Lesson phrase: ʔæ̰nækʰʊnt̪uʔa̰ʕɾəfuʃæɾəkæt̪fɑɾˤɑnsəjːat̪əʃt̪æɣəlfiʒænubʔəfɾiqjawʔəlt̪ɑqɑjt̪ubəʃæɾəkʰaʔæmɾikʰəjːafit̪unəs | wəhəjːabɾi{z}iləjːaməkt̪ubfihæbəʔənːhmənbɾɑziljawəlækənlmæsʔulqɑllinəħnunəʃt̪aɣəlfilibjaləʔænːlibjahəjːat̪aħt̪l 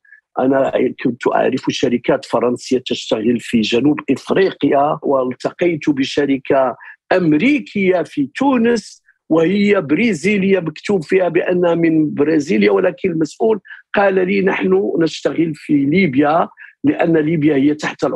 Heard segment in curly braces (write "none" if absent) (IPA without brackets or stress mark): z